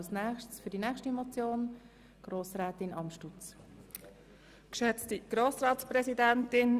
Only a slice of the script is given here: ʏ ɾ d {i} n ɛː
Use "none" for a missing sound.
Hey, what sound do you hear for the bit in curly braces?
i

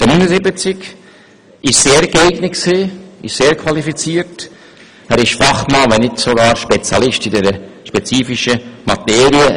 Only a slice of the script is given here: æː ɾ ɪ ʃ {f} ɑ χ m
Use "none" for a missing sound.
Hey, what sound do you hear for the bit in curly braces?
f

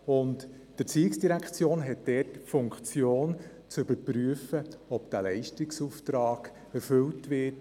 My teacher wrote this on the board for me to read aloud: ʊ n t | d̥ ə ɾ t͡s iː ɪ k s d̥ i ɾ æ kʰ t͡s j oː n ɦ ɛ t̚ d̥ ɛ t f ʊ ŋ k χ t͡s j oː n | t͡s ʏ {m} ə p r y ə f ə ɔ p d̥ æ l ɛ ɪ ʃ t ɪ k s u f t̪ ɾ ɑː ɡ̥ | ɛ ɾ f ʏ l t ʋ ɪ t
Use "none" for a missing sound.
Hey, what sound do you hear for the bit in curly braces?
b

